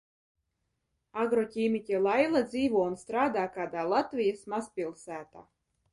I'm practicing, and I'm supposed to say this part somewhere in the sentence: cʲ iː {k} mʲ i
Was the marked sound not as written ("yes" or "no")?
yes